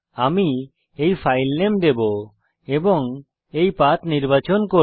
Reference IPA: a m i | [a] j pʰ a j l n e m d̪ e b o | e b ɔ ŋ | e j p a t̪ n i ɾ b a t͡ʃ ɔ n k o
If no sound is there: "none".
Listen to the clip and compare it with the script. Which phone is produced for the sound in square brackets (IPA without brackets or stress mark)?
e